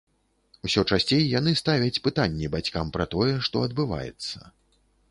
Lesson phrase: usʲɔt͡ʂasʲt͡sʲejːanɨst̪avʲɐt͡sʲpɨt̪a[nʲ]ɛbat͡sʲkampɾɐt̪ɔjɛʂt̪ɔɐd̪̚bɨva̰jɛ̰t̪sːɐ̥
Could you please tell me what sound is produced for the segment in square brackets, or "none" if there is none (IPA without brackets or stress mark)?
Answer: nʲː